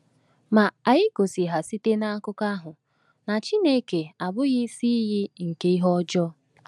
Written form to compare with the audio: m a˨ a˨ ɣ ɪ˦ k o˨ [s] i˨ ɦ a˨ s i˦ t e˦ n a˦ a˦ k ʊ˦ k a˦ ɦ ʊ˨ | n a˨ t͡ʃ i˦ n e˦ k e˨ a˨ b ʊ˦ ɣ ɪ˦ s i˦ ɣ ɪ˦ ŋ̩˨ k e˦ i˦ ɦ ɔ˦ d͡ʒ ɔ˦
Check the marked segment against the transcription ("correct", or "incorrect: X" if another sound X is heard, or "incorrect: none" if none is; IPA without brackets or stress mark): correct